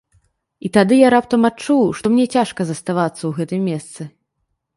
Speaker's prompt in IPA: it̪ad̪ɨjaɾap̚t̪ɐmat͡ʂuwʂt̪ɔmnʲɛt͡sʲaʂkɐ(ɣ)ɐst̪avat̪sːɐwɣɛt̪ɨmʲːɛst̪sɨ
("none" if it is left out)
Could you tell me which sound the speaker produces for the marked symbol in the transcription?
z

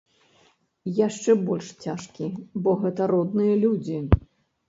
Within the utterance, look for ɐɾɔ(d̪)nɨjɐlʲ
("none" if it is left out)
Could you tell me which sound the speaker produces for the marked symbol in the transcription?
d̪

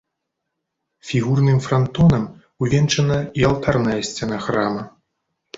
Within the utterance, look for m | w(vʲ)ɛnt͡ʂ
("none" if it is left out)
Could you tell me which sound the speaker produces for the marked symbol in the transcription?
vʲ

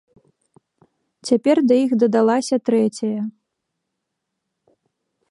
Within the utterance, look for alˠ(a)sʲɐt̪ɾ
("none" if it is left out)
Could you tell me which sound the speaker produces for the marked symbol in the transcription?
a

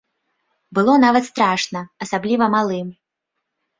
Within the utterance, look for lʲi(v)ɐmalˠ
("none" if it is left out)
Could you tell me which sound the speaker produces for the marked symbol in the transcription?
v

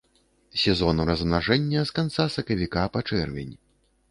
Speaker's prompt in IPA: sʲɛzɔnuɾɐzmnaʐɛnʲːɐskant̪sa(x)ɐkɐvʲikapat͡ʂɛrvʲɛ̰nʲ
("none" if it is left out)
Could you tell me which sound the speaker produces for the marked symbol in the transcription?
s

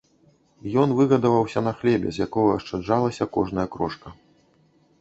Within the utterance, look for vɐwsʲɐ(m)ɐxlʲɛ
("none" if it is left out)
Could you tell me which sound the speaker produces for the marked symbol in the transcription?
n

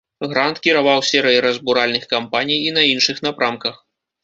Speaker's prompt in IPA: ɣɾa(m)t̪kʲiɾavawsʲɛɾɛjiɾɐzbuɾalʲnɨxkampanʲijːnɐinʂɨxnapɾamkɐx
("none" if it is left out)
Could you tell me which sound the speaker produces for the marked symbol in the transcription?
n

